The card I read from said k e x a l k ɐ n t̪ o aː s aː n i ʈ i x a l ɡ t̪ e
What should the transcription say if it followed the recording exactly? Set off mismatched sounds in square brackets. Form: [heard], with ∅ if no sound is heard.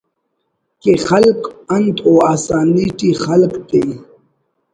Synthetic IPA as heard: k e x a l k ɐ n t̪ o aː s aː n i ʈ i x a l [k] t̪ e